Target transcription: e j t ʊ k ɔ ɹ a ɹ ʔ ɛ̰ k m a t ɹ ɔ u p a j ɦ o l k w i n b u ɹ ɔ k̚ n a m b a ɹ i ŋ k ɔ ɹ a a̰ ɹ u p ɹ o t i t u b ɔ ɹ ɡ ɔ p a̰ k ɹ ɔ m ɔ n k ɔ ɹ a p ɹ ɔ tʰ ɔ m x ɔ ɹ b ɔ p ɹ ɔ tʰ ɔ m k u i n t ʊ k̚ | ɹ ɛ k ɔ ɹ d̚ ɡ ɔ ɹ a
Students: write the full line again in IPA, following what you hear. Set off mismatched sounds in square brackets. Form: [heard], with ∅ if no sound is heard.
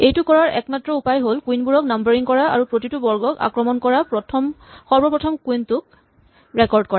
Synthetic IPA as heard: e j t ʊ k ɔ ɹ a ɹ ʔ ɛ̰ k m a t ɹ ɔ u p a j ɦ o l k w i n b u ɹ ɔ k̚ n a m b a ɹ i ŋ k ɔ ɹ a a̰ ɹ u p ɹ o t i t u b ɔ ɹ ɡ ɔ [k] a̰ k ɹ ɔ m ɔ n k ɔ ɹ a p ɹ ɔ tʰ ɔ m x ɔ ɹ b ɔ p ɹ ɔ tʰ ɔ m k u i n t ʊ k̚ | ɹ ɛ k ɔ ɹ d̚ [k] ɔ ɹ a